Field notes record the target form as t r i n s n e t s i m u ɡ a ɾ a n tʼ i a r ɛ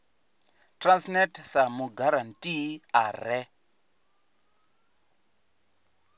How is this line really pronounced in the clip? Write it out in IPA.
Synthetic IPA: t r a n s n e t s a m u ɡ a ɾ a n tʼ i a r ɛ

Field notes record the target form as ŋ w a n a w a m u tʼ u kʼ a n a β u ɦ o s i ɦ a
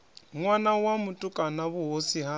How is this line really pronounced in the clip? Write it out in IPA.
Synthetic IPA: ŋ w a n a w a m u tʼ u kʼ a n a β u ɦ o s i ɦ a

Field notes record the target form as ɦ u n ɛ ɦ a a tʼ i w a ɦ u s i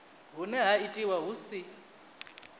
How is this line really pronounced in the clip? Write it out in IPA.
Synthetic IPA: ɦ u n ɛ ɦ a i tʼ i w a ɦ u s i

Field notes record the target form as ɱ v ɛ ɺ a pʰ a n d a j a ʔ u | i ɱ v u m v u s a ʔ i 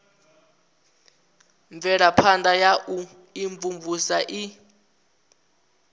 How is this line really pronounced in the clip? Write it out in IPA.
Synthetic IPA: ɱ v ɛ ɺ a pʰ a n d a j a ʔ u | i ɱ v u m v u s a ʔ i

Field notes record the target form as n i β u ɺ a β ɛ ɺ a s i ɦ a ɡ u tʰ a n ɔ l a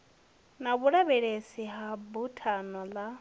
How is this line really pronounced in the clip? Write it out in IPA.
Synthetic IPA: n a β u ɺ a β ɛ ɺ e s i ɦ a b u tʰ a n ɔ l a

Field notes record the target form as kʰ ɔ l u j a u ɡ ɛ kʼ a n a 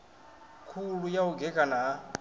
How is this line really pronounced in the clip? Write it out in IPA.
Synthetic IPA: kʰ u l u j a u ɡ ɛ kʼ a n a

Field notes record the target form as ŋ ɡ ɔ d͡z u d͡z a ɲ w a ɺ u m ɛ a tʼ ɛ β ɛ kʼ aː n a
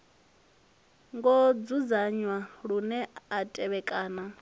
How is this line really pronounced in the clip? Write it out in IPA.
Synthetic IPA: ŋ ɡ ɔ d͡z u d͡z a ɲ w a ɺ u n ɛ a tʼ ɛ β ɛ kʼ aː n a

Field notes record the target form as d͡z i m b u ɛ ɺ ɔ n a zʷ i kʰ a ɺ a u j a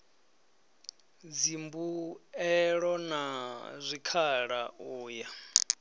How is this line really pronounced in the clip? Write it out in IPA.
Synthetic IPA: d͡z i m b u ɛ ɺ ɔ n a zʷ i kʰ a ɺ a uː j a

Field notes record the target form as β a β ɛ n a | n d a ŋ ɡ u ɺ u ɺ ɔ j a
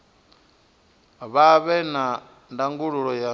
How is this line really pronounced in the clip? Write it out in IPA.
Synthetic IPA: β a β ɛ n a | n d a ŋ ɡ u ɺ u ɺ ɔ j a

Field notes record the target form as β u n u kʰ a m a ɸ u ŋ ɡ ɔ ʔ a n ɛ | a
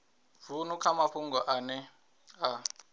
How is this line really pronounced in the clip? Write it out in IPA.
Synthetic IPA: v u n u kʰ a m a ɸ u ŋ ɡ ɔ ʔ a n ɛ | a

